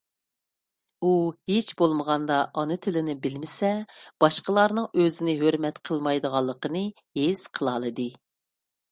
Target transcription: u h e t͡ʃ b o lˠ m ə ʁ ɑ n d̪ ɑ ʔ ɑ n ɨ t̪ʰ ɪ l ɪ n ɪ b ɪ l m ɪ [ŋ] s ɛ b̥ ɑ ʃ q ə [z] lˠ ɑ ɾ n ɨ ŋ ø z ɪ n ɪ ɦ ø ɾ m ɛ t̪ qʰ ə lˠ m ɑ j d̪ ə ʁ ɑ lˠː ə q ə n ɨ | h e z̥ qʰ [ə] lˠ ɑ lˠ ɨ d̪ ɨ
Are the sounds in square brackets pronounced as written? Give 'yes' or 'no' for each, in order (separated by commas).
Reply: no, no, yes